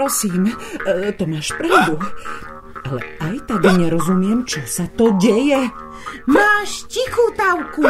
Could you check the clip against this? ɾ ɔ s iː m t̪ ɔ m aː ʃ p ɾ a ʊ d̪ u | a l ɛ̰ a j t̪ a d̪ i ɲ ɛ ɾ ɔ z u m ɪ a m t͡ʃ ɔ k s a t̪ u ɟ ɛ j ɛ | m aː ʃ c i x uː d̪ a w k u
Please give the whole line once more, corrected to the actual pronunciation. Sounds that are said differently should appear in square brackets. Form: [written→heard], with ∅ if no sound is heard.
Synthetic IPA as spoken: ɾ ɔ s iː m t̪ ɔ m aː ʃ p ɾ a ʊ d̪ u | a l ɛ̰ a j t̪ a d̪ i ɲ ɛ ɾ ɔ z u m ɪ [a→ɛ] m t͡ʃ ɔ [k→∅] s a t̪ [u→ɔ] ɟ ɛ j ɛ | m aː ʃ c i x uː [d̪→t̪] a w k u